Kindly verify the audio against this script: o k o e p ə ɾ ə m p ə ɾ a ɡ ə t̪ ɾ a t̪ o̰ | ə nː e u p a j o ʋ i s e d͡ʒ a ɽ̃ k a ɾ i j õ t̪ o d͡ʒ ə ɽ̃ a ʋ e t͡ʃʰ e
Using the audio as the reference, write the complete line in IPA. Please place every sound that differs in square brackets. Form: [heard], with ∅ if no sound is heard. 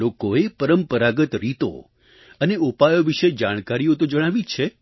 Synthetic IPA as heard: o k o e p ə ɾ ə m p ə ɾ a ɡ ə t̪ ɾ [i] t̪ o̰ | ə [n] e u p a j o ʋ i [ʃ] e d͡ʒ a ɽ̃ k a ɾ i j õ t̪ o d͡ʒ ə ɽ̃ a ʋ [i] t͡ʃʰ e